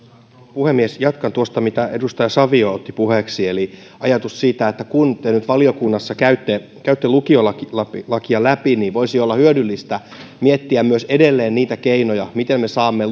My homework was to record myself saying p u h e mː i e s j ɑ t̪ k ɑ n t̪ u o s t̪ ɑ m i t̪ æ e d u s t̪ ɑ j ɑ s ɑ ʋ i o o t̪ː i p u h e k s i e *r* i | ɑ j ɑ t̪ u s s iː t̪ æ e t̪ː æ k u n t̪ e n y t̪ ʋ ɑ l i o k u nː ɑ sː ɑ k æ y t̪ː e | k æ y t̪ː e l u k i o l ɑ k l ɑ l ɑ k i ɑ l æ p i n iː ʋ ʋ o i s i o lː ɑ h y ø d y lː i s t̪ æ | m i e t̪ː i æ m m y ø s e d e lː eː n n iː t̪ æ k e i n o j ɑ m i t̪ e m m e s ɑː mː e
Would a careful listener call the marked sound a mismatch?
yes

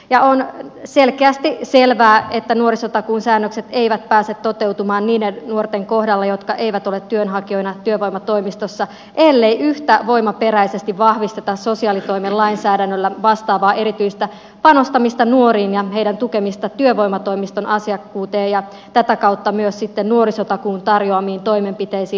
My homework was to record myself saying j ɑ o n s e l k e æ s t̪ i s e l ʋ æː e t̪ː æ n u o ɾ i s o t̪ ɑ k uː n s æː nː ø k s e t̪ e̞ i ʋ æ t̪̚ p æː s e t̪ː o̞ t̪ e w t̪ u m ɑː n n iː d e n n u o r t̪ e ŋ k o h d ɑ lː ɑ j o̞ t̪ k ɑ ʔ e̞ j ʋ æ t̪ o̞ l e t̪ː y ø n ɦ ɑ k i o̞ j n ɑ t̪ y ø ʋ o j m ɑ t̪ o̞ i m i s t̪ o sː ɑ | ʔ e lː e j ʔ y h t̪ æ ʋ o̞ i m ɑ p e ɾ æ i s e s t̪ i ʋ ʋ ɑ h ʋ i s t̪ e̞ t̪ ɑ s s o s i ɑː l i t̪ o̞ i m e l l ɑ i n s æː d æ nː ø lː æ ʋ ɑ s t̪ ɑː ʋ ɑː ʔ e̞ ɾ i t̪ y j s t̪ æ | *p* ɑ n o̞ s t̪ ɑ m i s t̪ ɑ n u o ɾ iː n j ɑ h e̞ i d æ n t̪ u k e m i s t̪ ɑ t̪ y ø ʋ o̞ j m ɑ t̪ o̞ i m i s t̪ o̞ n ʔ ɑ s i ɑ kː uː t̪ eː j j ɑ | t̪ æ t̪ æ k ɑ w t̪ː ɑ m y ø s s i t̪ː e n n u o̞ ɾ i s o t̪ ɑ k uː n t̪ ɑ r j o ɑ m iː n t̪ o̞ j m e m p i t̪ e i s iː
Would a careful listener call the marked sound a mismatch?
no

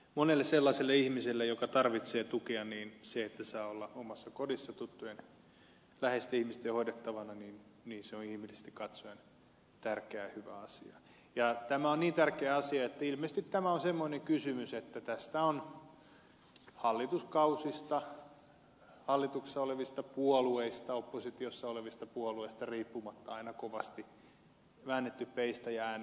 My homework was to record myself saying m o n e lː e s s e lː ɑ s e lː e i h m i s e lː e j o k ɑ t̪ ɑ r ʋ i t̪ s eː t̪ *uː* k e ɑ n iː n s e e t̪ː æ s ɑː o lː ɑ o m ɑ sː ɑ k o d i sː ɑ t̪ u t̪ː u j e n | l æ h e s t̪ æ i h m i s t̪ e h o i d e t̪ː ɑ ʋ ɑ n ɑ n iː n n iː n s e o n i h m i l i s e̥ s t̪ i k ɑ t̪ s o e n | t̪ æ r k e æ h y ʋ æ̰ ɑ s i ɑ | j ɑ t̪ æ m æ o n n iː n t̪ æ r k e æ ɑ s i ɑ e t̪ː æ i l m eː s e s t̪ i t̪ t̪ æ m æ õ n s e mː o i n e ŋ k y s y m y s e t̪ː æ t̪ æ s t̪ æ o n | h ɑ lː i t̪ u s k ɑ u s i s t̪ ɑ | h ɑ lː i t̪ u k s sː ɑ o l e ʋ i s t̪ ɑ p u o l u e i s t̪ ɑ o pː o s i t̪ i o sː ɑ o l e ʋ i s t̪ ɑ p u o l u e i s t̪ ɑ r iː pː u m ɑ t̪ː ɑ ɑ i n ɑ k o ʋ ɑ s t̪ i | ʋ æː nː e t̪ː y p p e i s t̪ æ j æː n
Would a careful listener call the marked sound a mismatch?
yes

